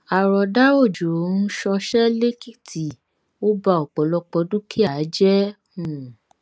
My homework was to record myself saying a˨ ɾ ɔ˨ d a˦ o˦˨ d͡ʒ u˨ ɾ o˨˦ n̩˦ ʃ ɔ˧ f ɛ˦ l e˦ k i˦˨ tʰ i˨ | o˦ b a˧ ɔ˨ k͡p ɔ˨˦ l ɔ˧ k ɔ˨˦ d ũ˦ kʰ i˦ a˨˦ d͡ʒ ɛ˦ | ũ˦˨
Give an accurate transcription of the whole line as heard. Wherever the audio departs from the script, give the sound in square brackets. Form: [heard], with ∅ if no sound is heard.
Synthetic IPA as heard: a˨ ɾ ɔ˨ d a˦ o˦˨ d͡ʒ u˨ ɾ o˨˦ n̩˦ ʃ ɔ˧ [ʃ] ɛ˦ l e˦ k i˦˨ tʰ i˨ | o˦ b a˧ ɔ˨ k͡p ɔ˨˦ l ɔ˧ [k͡p] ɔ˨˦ d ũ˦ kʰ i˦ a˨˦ d͡ʒ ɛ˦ | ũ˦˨